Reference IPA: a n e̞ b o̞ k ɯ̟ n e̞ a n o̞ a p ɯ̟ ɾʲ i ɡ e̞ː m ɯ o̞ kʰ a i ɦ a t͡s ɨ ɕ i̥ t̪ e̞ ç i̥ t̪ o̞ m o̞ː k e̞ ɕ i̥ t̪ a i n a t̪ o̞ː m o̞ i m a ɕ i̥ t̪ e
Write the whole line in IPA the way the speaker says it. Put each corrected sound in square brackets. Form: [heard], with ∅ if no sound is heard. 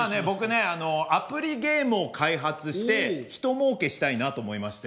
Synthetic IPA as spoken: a n e̞ b o̞ k ɯ̟ n e̞ a n o̞ a p ɯ̟ ɾʲ i ɡ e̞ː m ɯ o̞ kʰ a i ɦ a t͡s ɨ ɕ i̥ t̪ e̞ ç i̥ t̪ o̞ m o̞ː k e̞ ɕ i̥ t̪ a i n a t̪ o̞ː m o̞ i m a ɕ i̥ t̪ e